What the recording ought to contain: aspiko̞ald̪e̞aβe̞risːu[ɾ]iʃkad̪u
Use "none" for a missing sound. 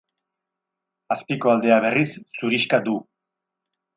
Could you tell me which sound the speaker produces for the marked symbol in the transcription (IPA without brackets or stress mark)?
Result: ɾ